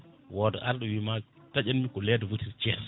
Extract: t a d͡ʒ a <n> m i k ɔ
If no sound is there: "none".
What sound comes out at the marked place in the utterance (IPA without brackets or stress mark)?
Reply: n